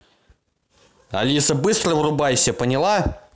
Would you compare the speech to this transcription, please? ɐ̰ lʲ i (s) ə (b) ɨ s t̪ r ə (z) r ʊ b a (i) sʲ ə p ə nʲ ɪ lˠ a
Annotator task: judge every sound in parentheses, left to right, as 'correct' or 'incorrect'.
correct, correct, incorrect: v, incorrect: j

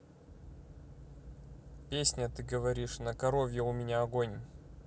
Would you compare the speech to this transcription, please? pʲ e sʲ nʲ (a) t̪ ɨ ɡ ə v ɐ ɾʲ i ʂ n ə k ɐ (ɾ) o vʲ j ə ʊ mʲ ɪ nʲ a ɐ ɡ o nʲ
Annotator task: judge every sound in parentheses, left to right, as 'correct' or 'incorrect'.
incorrect: ə, correct

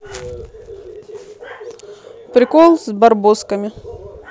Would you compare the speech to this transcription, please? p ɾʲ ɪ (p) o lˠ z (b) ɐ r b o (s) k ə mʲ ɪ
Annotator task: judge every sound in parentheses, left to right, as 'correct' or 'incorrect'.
incorrect: k, correct, correct

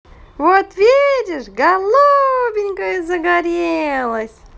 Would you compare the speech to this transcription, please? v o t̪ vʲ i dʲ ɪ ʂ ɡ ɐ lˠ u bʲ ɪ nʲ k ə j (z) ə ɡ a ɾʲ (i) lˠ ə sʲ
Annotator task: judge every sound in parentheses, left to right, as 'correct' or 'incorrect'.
correct, incorrect: e

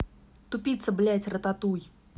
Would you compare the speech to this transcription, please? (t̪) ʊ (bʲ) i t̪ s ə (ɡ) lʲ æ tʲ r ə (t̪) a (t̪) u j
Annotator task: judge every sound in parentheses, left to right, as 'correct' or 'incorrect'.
correct, incorrect: pʲ, incorrect: b, correct, correct

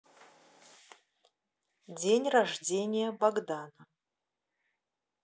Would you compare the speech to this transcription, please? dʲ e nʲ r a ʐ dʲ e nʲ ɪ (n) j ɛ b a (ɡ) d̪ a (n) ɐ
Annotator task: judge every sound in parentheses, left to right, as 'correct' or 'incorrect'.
incorrect: none, correct, correct

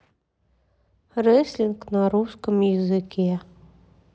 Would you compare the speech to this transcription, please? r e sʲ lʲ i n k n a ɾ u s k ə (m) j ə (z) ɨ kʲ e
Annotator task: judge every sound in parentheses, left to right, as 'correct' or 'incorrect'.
correct, correct

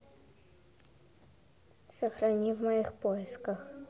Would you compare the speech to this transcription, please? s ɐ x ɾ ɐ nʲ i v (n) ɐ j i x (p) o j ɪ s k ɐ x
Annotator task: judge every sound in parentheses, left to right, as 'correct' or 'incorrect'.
incorrect: m, correct

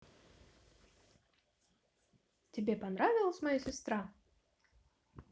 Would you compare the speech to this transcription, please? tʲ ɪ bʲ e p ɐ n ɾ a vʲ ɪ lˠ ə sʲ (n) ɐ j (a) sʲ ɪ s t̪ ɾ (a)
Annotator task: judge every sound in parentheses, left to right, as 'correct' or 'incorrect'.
incorrect: m, correct, correct

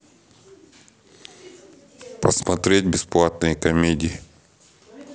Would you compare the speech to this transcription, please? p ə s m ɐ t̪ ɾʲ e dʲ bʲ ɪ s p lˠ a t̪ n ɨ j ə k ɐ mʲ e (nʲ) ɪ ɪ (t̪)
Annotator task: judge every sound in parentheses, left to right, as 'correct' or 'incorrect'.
incorrect: dʲ, incorrect: none

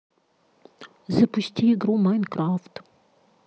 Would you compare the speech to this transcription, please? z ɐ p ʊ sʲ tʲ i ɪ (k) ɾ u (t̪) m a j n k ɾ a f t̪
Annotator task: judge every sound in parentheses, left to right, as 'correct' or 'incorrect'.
incorrect: ɡ, incorrect: none

